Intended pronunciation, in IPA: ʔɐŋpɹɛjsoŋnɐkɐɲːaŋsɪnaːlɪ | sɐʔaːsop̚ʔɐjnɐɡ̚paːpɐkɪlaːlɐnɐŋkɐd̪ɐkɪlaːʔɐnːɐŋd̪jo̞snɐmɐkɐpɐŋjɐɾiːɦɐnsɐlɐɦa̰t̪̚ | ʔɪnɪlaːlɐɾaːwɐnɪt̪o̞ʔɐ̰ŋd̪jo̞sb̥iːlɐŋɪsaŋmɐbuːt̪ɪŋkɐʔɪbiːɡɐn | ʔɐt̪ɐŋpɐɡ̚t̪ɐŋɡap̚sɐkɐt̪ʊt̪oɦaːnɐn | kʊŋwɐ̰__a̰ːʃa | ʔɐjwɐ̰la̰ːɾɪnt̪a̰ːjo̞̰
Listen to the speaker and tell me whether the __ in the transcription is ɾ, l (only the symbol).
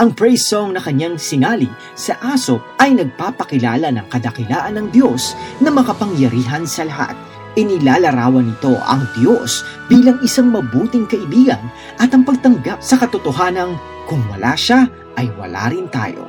l